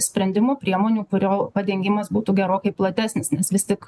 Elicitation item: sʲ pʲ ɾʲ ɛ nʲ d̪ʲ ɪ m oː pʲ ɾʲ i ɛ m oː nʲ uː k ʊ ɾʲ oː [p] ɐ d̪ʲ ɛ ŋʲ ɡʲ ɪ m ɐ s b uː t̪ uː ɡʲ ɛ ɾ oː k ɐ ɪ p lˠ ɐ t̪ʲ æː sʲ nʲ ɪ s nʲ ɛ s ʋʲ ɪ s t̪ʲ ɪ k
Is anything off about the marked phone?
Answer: no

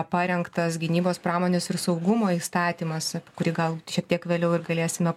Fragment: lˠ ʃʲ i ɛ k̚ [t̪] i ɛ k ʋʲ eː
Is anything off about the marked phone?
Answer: no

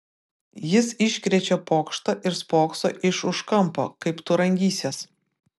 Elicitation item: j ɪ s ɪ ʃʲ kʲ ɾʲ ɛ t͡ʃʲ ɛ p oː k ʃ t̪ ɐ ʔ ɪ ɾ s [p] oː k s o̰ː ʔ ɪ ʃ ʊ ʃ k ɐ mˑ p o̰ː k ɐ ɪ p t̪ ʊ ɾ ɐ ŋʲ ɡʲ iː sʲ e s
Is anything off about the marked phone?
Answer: no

